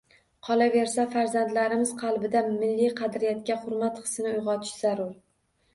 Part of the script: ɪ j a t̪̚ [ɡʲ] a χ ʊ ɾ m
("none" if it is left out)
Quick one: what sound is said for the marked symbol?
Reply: kʲ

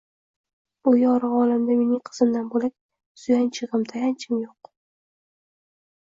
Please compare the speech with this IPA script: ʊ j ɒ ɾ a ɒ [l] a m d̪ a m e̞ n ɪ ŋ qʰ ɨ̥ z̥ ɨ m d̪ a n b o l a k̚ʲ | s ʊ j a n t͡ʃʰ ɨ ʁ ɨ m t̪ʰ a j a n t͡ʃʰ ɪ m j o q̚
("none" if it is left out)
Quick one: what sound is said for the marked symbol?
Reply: l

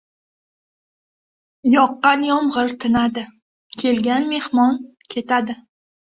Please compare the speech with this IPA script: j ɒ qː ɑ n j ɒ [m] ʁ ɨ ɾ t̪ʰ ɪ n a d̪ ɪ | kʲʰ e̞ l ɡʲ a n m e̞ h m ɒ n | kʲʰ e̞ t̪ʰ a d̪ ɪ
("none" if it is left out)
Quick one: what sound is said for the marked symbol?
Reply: m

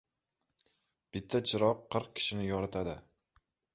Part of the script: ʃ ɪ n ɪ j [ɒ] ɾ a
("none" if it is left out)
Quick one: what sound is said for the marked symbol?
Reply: ɒ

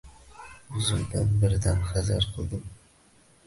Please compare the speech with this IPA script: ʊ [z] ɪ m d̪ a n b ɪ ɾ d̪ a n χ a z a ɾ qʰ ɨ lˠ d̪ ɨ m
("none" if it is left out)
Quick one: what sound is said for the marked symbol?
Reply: z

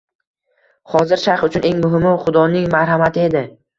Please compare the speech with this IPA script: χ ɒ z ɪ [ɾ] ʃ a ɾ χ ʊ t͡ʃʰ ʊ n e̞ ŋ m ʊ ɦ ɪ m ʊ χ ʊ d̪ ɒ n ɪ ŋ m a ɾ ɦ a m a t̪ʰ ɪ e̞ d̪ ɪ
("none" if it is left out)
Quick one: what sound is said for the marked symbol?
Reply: ɾ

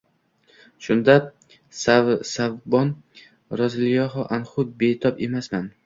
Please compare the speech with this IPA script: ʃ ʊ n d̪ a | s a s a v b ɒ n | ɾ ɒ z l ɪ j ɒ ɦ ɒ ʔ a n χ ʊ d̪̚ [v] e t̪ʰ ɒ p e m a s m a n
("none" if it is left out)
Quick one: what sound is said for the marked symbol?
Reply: b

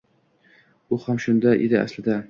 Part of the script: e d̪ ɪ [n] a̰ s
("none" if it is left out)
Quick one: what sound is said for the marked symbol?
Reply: none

